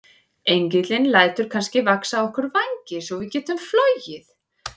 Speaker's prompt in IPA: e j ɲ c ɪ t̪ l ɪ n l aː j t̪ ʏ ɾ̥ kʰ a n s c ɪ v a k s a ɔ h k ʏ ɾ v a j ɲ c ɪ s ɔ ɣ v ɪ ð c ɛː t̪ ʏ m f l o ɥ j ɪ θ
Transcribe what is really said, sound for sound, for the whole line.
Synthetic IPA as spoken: e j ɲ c ɪ t̪ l ɪ n l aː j t̪ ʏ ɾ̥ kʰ a n s c ɪ v a k s a ɔ h k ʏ ɾ v a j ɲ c ɪ s ɔ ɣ v ɪ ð c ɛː t̪ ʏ m f l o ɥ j ɪ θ

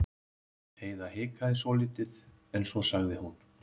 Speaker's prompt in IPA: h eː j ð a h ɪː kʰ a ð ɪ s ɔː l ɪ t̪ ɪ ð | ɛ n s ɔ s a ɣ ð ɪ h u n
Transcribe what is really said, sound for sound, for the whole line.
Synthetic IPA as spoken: h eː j ð a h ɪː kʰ a ð ɪ s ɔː l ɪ t̪ ɪ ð | ɛ n s ɔ s a ɣ ð ɪ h u n

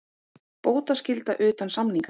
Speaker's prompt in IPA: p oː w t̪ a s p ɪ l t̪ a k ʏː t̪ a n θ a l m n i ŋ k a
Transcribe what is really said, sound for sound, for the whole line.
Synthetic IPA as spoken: p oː w t̪ a s c ɪ l t̪ a ʔ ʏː t̪ a n s a m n i ŋ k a

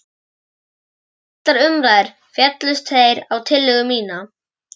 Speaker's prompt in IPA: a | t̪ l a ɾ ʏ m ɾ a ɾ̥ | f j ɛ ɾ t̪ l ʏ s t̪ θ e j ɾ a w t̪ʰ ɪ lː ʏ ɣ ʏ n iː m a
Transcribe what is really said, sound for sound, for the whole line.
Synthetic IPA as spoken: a | t̪ l a ɾ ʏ m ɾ a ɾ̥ | f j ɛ t̪ l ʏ s t̪ θ e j ɾ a w t̪ʰ ɪ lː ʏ ɣ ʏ m iː n a

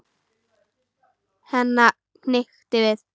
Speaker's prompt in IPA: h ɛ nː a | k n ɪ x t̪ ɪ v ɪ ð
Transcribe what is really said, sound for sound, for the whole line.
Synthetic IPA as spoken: h ɛ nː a | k n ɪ x t̪ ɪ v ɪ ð

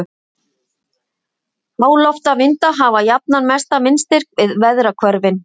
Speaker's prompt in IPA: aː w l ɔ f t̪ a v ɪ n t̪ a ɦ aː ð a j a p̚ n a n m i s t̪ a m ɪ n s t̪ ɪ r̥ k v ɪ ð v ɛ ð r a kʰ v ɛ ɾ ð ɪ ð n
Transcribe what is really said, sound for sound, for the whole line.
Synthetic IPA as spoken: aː w l ɔ f t̪ a v ɪ n t̪ a ɦ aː v a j a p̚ n a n m ɛ s t̪ a m ɪ n s t̪ ɪ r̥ k v ɪ ð v ɛ ð ɾ a kʰ v œ ɾ v ɪ n

